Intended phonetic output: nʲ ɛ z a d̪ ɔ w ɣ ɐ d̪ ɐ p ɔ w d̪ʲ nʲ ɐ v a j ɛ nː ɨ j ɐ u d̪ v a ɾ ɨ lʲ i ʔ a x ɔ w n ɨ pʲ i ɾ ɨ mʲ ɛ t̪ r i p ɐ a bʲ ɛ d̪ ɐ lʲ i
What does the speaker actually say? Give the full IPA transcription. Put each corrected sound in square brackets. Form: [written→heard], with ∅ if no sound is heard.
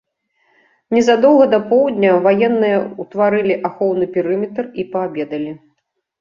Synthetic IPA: nʲ ɛ z a d̪ ɔ w ɣ ɐ d̪ ɐ p ɔ w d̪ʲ nʲ ɐ v a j ɛ nː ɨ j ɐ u [d̪→t̪] v a ɾ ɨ lʲ i ʔ a x ɔ w n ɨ pʲ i ɾ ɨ mʲ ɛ t̪ r i p ɐ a bʲ ɛ d̪ ɐ lʲ i